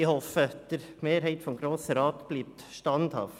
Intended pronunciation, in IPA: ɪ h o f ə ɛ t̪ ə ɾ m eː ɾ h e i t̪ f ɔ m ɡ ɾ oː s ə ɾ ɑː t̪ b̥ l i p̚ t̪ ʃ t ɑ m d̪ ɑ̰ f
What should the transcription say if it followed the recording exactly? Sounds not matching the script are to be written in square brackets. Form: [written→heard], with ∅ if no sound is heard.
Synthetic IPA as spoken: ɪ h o f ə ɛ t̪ ə ɾ m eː ɾ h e [i→ɪ] t̪ f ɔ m ɡ ɾ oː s ə ɾ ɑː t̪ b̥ l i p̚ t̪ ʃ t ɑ [m→n] d̪ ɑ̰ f